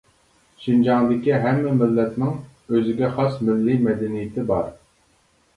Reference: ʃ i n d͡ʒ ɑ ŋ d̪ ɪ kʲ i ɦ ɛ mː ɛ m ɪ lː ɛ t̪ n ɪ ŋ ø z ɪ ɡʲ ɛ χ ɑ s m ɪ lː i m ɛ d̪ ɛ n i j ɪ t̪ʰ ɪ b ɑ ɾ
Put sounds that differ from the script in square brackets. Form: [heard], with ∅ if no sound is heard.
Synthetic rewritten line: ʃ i n d͡ʒ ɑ ŋ d̪ ɪ kʲ i ɦ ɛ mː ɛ m ɪ lː ɛ t̪ n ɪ ŋ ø z ɪ ɡʲ ɛ χ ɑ s m ɪ lː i m ɛ d̪ ɛ n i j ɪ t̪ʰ ɪ b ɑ ɾ